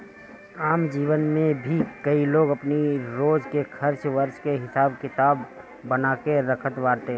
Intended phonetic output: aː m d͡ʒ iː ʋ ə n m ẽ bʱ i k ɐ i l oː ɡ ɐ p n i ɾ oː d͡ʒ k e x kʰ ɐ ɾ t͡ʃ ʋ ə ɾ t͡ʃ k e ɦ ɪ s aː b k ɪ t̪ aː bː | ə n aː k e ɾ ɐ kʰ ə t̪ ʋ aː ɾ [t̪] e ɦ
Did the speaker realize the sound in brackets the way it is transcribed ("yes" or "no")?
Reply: yes